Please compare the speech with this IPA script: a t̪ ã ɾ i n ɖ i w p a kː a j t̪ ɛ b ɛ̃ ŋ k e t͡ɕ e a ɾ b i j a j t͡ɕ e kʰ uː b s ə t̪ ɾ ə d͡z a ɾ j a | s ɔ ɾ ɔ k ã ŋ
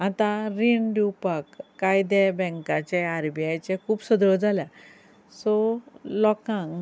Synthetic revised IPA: a t̪ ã ɾ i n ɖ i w p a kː a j d̪ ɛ b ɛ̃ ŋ k a t͡ɕ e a ɾ b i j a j t͡ɕ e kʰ uː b s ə d̪ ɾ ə d͡z a l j a | s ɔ l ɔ k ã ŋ